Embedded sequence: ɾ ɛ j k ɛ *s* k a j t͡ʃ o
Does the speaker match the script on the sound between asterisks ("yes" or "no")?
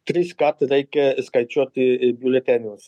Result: yes